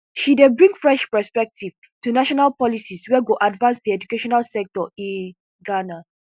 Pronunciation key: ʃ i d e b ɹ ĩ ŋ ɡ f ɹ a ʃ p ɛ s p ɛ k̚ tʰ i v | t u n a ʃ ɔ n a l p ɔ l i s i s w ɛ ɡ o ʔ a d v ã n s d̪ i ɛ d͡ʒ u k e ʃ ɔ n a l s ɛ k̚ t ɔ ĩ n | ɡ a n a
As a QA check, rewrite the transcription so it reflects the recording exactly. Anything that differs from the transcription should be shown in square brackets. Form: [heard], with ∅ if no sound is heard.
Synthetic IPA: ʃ i d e b ɹ ĩ ŋ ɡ f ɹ [ɛ] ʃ p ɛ s p ɛ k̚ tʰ i v | t u n a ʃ ɔ n a l p ɔ l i s i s w ɛ ɡ o ʔ a d v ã n s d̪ i ɛ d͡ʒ u k e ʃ ɔ n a l s ɛ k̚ t ɔ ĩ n | ɡ a n a